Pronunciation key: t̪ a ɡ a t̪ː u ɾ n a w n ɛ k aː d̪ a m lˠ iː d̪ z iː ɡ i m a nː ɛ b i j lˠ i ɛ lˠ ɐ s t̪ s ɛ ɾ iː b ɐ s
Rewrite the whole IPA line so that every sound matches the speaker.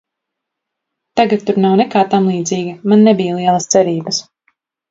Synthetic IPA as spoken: t̪ a ɡ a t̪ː u ɾ n a w n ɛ k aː t̪ a m lˠ iː d̪ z iː ɡ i m a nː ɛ b i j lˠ i ɛ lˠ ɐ s t̪ s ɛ ɾ iː b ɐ s